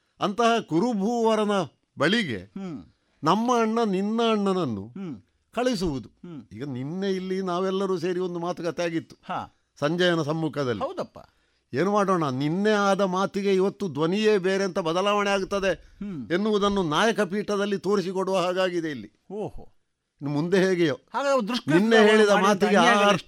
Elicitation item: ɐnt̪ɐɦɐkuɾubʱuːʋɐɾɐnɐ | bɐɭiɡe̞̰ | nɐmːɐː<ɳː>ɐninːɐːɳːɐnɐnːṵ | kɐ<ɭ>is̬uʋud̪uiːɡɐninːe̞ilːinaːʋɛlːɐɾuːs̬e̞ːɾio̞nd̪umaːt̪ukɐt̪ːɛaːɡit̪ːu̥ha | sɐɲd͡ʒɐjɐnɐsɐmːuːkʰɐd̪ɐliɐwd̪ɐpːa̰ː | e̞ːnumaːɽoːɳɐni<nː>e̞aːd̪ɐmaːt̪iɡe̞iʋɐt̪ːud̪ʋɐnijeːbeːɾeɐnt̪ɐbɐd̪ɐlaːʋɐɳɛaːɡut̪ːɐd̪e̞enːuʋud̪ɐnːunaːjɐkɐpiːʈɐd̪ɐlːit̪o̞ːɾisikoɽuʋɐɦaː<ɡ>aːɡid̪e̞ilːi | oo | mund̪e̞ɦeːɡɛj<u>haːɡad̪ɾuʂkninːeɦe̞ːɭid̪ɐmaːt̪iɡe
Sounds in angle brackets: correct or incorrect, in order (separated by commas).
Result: correct, correct, correct, correct, incorrect